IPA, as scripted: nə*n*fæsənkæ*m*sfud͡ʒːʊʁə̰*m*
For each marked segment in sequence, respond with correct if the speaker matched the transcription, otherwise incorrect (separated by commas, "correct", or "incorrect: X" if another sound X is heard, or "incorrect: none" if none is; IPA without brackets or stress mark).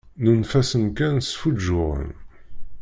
correct, incorrect: n, incorrect: n